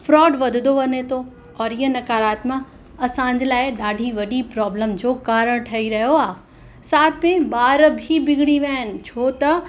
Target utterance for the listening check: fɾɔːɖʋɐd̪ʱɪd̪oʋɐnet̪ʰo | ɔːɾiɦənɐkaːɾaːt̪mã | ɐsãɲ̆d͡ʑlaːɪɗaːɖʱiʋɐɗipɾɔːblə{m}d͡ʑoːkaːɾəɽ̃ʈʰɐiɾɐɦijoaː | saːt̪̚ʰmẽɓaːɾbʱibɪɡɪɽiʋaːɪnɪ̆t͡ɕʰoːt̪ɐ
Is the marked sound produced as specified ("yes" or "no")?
yes